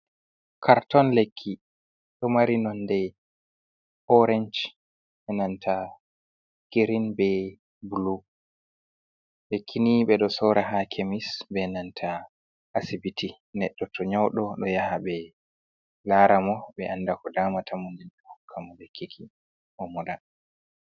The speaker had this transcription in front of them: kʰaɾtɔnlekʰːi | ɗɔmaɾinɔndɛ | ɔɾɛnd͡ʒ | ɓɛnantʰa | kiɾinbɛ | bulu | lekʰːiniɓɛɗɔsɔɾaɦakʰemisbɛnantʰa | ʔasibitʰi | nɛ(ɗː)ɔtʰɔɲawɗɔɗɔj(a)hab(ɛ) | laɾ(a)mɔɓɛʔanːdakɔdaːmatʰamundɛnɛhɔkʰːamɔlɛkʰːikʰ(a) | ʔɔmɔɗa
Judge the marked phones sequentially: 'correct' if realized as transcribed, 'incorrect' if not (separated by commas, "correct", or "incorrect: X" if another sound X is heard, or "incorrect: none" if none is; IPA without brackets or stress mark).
correct, correct, correct, correct, incorrect: i